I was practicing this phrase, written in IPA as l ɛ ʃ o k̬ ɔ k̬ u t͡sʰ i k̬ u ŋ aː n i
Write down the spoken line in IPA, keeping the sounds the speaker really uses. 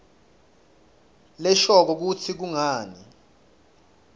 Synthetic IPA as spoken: l ɛ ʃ ɔ k̬ ɔ k̬ u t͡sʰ i k̬ u ŋ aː n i

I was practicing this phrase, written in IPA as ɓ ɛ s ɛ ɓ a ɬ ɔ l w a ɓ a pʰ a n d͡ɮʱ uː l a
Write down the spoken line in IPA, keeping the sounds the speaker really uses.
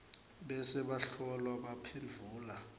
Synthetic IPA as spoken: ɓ ɛ s ɛ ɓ a ɬ ɔ l w a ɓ a pʰ e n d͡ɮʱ uː l a

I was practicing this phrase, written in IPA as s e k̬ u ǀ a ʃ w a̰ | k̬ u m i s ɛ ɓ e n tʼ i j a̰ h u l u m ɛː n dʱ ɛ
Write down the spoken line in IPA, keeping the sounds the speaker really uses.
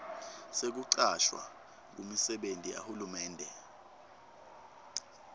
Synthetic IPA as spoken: s e k̬ u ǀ a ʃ w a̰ | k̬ u m i s ɛ ɓ e n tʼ i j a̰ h u l u m ɛː n dʱ ɛ

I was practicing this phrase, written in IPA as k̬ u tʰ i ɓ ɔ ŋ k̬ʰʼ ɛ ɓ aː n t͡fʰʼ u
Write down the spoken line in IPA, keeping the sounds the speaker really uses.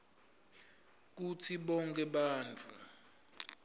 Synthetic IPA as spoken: k̬ u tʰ i ɓ ɔ ŋ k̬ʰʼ ɛ ɓ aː n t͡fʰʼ u

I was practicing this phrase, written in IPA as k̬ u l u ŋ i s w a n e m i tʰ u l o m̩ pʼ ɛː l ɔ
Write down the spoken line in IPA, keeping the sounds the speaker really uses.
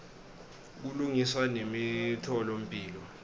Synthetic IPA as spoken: k̬ u l u ŋ i s w a n e m i tʰ ɔ l o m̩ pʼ iː l ɔ

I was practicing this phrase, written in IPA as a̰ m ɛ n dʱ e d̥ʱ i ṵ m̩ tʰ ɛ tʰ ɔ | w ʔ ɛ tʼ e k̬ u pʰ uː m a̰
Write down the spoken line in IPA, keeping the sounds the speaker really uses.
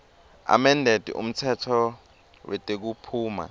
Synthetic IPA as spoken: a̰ m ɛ n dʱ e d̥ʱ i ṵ m̩ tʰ ɛ tʰ ɔ | w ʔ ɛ tʼ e k̬ u pʰ uː m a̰

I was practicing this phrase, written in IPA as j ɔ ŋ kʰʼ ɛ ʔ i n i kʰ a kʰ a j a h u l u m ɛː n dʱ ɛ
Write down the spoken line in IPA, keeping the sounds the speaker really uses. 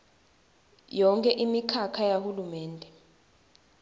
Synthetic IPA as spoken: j ɔ ŋ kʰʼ ɛ ʔ i m i kʰ a kʰ a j a h u l u m ɛː n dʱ ɛ

